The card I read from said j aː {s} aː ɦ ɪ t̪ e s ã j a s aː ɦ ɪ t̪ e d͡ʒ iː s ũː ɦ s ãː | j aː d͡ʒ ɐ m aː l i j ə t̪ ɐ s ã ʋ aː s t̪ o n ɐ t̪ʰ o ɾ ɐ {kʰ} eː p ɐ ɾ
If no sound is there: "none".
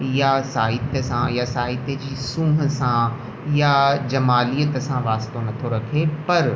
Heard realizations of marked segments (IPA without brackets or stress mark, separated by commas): s, kʰ